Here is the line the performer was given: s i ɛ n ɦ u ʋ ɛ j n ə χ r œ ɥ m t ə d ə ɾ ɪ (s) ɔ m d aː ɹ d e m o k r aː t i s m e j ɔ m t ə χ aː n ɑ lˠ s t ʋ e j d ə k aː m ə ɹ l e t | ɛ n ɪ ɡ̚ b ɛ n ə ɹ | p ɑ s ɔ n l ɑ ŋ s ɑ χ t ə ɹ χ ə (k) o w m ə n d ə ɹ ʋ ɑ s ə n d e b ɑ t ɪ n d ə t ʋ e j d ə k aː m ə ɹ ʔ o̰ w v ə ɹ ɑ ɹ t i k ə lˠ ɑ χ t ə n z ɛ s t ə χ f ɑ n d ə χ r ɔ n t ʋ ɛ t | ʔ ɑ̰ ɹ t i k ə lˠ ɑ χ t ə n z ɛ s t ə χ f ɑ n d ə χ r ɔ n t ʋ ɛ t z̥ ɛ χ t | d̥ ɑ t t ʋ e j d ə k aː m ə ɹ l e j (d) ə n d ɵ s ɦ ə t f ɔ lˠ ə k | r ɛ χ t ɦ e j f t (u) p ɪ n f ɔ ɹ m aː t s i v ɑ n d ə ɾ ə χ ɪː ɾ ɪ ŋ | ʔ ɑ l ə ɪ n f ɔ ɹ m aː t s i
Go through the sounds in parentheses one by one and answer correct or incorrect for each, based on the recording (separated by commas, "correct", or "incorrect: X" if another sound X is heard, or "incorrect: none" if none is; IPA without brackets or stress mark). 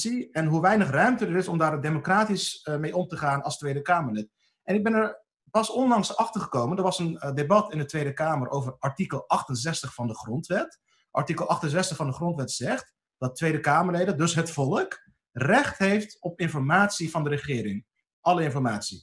correct, correct, correct, incorrect: ɔ